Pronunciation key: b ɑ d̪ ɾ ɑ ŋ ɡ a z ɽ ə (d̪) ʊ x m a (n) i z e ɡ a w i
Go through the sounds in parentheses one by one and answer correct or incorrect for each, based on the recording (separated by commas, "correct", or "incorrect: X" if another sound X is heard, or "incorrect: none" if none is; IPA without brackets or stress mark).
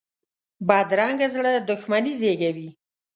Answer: correct, correct